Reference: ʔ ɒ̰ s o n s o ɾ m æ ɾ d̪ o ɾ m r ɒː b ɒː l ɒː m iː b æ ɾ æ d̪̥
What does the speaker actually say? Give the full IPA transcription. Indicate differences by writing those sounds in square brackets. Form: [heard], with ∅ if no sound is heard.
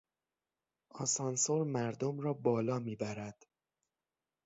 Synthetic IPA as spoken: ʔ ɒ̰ s [ɒ] n s o ɾ m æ ɾ d̪ o [∅] m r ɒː b ɒː l ɒː m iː b æ ɾ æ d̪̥